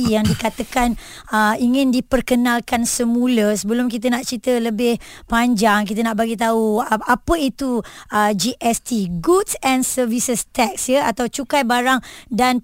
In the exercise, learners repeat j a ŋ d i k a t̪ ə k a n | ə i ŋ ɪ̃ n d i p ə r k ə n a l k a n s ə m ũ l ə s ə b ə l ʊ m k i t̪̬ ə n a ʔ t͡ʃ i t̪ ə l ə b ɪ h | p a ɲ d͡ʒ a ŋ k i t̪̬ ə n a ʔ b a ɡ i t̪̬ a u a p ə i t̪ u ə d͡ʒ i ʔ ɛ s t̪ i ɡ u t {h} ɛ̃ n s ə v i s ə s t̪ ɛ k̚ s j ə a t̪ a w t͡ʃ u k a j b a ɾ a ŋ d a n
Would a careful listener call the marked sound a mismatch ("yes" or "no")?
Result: yes